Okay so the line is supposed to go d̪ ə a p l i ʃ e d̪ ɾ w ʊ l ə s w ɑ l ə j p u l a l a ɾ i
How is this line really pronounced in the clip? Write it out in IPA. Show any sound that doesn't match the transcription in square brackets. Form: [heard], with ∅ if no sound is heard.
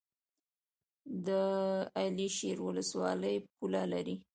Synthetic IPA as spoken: d̪ ə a [∅] l i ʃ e [∅] ɾ w ʊ l ə s w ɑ l ə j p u l a l a ɾ i